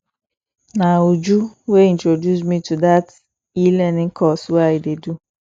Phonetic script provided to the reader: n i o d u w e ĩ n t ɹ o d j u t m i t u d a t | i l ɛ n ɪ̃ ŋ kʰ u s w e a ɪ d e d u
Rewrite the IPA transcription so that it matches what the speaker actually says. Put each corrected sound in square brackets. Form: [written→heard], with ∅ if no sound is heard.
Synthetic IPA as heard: n [i→a] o [d→d͡ʒ] u w e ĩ n t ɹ o d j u [t→s] m i t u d a t | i l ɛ n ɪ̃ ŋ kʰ [u→ɔ] s w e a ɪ d e d u